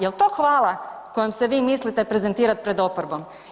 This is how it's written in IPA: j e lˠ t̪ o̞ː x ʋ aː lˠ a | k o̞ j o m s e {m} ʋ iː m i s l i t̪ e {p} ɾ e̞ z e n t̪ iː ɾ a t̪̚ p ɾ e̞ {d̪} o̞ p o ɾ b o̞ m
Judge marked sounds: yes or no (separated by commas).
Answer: no, yes, yes